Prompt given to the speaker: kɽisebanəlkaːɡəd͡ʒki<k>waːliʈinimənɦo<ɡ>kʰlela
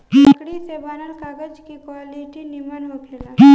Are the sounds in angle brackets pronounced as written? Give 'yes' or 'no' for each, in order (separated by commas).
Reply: yes, no